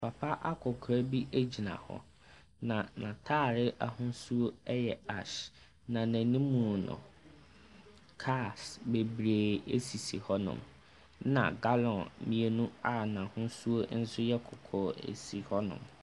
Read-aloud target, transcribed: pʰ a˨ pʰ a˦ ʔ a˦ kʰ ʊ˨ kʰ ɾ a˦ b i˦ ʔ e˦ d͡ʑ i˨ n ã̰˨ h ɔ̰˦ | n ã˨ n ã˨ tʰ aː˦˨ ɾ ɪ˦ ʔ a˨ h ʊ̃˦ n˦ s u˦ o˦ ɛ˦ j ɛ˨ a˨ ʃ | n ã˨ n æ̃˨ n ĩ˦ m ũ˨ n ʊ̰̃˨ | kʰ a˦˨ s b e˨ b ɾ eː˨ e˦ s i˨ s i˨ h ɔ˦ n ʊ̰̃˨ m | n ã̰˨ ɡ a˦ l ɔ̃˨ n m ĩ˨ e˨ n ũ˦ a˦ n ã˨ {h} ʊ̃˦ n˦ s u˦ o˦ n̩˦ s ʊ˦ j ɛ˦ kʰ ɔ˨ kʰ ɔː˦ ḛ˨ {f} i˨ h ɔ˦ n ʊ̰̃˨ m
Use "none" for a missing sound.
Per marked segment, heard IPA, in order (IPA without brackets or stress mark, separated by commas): h, s